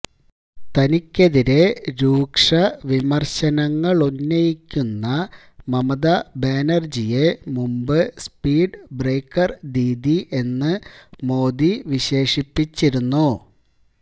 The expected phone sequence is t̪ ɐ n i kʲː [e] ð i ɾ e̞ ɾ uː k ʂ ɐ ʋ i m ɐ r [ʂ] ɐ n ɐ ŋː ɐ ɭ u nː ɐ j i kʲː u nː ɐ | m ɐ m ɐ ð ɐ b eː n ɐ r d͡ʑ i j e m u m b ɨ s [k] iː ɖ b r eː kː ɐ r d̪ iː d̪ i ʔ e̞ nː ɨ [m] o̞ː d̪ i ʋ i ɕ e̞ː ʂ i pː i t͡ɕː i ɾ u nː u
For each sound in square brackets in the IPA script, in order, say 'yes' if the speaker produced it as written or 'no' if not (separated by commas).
yes, no, no, yes